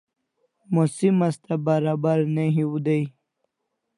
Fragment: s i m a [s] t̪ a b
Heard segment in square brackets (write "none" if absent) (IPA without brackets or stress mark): s